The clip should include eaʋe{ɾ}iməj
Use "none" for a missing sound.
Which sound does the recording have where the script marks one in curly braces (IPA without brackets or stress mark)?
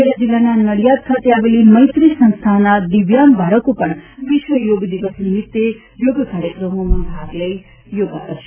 l